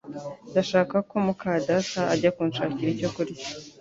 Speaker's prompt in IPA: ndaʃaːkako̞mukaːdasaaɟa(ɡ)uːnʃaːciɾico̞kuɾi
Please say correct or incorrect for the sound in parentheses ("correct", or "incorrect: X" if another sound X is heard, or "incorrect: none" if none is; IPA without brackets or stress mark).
incorrect: k